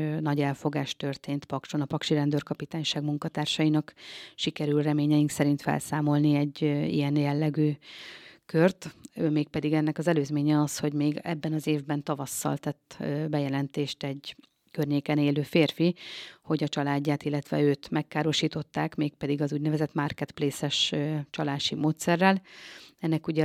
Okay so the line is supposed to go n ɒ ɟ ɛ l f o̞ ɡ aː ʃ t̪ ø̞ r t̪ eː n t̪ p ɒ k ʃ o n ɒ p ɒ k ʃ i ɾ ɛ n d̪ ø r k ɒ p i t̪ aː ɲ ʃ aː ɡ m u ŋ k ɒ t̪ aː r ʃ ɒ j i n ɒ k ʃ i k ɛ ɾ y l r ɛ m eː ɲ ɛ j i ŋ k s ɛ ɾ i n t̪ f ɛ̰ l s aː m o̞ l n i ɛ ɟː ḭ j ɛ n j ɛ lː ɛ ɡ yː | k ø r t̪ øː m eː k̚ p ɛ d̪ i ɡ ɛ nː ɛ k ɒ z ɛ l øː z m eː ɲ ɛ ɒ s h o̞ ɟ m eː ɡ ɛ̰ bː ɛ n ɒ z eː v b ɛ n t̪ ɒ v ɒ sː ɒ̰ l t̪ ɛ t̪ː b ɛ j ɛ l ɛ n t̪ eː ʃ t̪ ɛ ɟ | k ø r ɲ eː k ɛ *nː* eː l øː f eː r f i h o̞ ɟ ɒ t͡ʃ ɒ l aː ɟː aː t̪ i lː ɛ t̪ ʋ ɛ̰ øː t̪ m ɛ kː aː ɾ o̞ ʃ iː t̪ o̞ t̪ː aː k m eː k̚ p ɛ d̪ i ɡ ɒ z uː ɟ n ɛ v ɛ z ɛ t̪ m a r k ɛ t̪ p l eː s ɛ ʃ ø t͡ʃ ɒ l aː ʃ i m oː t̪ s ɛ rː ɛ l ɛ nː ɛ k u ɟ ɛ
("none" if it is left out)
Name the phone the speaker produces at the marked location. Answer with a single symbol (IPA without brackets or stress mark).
n